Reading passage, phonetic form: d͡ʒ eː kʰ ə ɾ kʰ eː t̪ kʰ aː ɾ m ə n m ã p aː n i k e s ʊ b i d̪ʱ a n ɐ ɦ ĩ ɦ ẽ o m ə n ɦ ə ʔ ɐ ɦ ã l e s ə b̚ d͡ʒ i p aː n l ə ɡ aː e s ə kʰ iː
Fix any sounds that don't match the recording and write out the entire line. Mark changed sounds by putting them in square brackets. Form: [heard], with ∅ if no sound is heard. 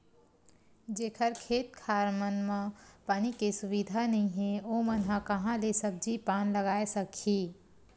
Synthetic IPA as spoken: d͡ʒ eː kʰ ə ɾ kʰ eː t̪ kʰ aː ɾ m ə n m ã p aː n i k e s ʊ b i d̪ʱ a n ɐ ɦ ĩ ɦ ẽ o m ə n ɦ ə [k] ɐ ɦ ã l e s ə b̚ d͡ʒ i p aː n l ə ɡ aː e s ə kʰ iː